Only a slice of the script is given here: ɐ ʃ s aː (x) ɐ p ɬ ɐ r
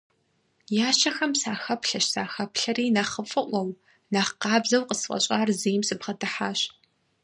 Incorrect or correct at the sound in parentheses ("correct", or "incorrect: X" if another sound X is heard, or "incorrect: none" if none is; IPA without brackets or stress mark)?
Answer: correct